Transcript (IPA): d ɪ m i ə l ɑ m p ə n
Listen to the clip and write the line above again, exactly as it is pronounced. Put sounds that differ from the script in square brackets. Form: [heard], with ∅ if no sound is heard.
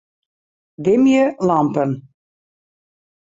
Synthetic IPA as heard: d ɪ m [j] ə l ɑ m p ə n